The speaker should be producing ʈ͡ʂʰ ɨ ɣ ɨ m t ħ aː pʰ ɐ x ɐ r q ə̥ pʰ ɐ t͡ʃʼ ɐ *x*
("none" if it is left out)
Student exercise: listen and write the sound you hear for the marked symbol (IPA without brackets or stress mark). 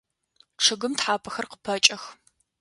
x